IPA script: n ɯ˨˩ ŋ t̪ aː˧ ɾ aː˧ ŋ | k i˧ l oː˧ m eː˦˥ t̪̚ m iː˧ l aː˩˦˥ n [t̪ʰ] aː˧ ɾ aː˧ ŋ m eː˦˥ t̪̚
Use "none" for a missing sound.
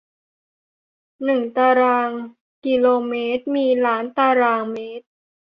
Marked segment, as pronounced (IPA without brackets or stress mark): t̪